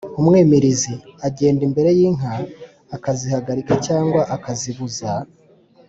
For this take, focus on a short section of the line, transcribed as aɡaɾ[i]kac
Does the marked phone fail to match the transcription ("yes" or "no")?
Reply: no